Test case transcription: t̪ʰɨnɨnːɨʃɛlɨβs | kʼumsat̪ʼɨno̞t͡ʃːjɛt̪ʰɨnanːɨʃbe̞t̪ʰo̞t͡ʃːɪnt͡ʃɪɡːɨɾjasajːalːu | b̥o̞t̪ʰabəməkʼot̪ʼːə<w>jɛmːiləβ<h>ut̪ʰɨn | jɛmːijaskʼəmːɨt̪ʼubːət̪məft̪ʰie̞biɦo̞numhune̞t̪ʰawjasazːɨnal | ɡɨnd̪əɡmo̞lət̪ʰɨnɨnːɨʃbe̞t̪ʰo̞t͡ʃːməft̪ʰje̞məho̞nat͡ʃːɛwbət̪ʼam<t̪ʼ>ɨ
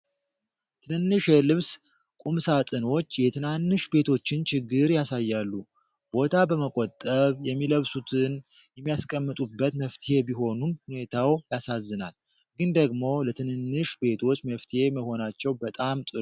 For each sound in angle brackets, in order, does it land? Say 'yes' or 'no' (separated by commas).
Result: no, no, yes